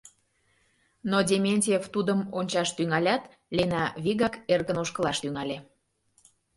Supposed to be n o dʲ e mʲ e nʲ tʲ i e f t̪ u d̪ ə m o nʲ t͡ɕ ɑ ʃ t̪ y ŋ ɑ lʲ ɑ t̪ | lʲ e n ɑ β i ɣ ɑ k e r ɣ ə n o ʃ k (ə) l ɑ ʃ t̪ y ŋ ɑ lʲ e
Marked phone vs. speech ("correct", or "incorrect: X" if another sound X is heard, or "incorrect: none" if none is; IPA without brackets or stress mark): correct